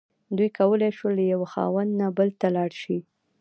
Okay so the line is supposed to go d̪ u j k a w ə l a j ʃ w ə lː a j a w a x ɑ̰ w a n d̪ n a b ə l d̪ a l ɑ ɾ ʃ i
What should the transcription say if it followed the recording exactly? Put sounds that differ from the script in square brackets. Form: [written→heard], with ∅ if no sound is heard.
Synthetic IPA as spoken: d̪ u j k a w ə l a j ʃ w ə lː a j a w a x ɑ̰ w a n d̪ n a b ə l [d̪→t̪] a l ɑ [ɾ→ɽ] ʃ i